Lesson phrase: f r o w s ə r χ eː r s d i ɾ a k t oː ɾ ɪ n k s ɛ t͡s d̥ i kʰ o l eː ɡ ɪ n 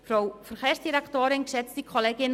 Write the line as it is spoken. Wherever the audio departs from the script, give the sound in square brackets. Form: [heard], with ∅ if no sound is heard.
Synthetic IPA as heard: f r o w [f] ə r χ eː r s d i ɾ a k t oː ɾ ɪ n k s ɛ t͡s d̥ i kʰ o l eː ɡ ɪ n